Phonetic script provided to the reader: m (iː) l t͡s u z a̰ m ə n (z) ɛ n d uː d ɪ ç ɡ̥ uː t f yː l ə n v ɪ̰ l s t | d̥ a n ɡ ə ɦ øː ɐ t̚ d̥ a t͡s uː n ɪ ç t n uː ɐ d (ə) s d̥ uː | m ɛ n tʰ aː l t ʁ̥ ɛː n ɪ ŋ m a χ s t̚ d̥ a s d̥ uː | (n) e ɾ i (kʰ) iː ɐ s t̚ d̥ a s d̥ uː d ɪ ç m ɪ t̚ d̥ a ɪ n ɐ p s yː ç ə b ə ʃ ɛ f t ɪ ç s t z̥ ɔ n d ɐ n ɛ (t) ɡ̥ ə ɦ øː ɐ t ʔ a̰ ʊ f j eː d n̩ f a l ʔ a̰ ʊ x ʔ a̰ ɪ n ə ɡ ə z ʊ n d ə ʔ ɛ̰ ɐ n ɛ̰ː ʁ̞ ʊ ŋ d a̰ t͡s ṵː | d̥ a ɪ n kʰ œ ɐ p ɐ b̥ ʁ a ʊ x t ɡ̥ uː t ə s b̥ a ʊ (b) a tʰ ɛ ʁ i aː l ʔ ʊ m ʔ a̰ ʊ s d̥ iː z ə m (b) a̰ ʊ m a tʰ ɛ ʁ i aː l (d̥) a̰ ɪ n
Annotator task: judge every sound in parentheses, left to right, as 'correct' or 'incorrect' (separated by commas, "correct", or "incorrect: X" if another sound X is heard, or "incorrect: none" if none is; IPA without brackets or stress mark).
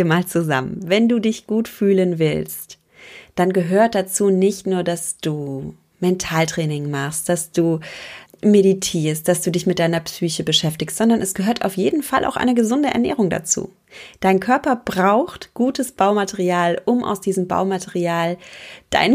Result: incorrect: aː, incorrect: v, incorrect: a, incorrect: m, incorrect: tʰ, incorrect: s, incorrect: m, correct, correct